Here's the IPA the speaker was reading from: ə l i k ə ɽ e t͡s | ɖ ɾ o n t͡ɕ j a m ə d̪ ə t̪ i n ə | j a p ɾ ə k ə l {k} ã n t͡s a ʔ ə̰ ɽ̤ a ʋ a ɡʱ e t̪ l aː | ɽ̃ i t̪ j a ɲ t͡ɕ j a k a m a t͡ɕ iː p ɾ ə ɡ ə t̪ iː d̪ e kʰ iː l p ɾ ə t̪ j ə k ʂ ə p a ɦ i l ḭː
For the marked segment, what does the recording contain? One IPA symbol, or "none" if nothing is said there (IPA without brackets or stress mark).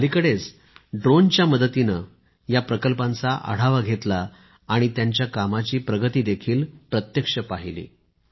p